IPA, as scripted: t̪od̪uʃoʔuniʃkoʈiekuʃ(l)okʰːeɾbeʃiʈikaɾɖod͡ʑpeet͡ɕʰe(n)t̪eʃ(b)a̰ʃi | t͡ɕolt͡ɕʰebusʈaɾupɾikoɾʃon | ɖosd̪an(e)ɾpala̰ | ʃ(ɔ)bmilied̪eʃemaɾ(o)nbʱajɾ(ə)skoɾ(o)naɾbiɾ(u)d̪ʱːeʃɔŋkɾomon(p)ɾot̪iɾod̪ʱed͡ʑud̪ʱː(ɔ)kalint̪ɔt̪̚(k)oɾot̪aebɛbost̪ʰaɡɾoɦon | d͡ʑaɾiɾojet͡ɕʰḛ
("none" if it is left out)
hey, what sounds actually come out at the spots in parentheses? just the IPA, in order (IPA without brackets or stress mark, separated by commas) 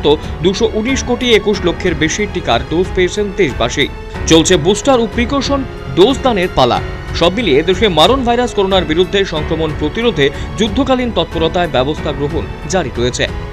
l, n, b, e, ɔ, o, a, o, u, p, o, p